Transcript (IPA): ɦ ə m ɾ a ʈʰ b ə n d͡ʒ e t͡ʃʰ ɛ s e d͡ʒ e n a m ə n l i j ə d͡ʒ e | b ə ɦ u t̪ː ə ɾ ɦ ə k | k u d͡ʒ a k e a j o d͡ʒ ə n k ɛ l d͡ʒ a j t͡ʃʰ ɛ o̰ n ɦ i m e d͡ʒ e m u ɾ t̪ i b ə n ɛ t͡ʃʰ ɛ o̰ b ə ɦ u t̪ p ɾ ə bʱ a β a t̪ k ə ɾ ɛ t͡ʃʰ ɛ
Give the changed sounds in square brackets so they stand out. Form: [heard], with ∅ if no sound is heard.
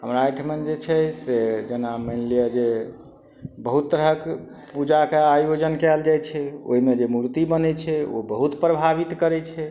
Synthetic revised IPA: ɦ ə m ɾ a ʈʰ [m] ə n d͡ʒ e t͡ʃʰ ɛ s e d͡ʒ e n a m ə n l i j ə d͡ʒ e | b ə ɦ u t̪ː ə ɾ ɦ ə k | [p] u d͡ʒ a k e a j o d͡ʒ ə n k ɛ l d͡ʒ a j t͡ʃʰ ɛ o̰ [∅] ɦ i m e d͡ʒ e m u ɾ t̪ i b ə n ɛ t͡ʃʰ ɛ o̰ b ə ɦ u t̪ p ɾ ə bʱ a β [i] t̪ k ə ɾ ɛ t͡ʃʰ ɛ